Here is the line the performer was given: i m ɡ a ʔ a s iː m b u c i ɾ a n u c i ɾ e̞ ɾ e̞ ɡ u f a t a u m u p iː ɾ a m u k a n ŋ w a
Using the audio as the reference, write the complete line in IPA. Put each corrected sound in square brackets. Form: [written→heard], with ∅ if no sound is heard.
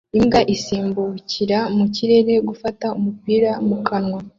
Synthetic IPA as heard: i m ɡ a ʔ [a→i] s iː m b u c i ɾ a [n→m] u c i ɾ e̞ ɾ e̞ ɡ u f a t a u m u p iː ɾ a m u k a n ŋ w a